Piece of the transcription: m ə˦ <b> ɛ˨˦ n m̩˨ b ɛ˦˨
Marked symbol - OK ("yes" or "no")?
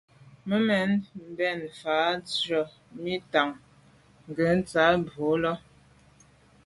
no